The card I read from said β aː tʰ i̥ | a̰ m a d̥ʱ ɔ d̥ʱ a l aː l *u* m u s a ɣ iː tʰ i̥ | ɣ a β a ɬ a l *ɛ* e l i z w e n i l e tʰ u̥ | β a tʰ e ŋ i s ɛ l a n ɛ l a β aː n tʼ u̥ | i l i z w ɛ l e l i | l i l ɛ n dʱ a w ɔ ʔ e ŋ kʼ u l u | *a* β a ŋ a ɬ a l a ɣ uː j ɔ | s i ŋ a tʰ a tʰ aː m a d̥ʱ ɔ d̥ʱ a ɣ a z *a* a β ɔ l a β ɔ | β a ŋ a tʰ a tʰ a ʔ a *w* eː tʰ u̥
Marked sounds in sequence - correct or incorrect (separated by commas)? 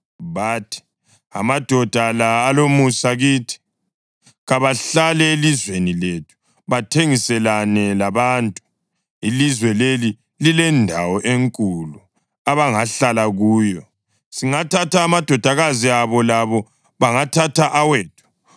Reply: incorrect, correct, correct, incorrect, correct